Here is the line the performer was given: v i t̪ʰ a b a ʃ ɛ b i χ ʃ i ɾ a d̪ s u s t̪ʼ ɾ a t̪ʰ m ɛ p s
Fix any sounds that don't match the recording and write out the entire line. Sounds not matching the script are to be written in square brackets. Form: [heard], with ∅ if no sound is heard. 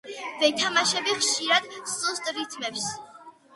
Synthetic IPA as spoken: v [ɛ] t̪ʰ a [m] a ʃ ɛ b i χ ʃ i ɾ a d̪ s u s t̪ʼ ɾ [i] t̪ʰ m ɛ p s